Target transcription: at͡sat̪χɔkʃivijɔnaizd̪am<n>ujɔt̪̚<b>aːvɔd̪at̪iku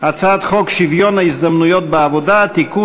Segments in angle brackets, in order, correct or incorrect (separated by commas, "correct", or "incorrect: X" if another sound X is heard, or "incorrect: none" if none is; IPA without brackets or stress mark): correct, correct